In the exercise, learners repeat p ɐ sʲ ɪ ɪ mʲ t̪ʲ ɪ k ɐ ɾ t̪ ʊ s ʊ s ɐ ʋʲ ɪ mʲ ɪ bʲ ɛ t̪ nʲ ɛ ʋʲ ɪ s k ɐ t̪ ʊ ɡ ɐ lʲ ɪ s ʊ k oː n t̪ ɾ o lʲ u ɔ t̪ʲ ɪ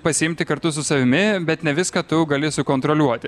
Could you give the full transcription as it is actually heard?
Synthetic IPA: p ɐ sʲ ɪ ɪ mʲ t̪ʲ ɪ k ɐ ɾ t̪ ʊ s ʊ s ɐ ʋʲ ɪ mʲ ɪ bʲ ɛ t̪ nʲ ɛ ʋʲ ɪ s k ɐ t̪ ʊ ɡ ɐ lʲ ɪ s ʊ k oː n t̪ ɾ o lʲ u ɔ t̪ʲ ɪ